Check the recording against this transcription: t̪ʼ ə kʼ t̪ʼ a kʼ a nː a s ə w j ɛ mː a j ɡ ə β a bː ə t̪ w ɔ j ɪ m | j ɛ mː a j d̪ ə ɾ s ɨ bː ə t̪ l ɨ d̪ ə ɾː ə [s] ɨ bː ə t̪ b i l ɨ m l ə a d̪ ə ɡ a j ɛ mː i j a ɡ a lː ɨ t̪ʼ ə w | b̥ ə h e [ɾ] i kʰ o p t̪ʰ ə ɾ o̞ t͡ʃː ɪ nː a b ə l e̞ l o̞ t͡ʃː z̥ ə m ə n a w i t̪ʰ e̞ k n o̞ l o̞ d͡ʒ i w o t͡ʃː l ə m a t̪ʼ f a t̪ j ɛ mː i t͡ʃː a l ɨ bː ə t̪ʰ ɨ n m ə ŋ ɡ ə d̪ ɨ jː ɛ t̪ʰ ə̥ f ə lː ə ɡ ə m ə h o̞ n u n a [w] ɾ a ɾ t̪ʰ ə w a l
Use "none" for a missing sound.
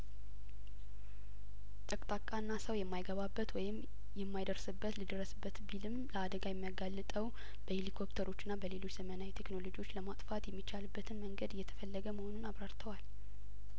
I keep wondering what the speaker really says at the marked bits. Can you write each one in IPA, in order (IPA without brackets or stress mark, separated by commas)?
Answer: s, l, β